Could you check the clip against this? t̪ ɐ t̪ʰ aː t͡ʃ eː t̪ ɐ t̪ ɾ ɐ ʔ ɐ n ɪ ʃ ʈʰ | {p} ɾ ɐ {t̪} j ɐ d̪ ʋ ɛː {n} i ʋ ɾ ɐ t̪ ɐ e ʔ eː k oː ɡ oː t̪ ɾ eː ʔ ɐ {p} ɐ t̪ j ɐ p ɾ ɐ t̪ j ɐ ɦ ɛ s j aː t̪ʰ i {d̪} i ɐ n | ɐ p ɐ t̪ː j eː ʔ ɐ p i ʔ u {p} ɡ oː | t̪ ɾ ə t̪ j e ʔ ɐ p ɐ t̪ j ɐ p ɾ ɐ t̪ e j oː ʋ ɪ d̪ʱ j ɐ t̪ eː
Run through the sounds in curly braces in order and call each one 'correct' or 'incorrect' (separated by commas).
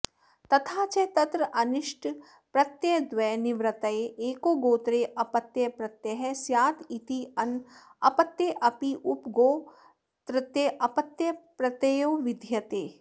correct, correct, correct, correct, incorrect, correct